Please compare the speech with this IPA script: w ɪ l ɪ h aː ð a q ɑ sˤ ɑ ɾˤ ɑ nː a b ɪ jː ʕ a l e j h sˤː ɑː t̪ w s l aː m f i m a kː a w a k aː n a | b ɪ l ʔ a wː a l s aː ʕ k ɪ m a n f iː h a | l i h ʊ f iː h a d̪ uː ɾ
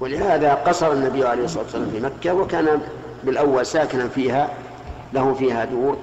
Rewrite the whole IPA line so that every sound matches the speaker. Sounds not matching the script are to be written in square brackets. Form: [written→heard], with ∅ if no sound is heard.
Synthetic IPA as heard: w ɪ l ɪ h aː ð a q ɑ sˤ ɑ ɾˤ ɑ nː a b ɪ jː ʕ a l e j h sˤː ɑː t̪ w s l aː m f i m a kː a w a k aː n a | b ɪ l ʔ a wː a l s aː [ʕ→∅] k ɪ [m→n] a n f iː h a | l [i→a] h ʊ f iː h a d̪ uː ɾ